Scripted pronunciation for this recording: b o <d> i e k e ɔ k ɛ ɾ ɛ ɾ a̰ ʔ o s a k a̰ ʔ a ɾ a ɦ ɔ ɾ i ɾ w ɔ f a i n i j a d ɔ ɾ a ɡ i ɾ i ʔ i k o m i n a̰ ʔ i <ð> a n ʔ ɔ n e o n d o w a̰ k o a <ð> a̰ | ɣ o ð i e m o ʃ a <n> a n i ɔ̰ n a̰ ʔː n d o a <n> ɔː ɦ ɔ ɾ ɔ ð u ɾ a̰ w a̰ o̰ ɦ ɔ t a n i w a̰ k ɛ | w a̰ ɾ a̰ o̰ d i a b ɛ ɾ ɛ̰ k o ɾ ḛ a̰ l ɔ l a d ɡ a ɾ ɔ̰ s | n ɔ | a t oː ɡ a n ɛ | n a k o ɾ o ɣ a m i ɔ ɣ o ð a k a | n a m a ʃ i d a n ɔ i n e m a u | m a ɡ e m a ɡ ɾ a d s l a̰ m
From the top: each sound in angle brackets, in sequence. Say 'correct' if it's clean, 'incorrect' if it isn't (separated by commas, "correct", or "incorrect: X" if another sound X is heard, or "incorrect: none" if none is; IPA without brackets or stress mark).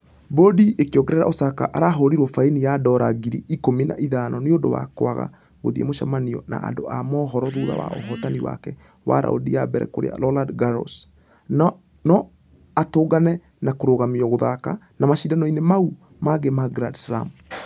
correct, correct, incorrect: ɣ, incorrect: m, incorrect: m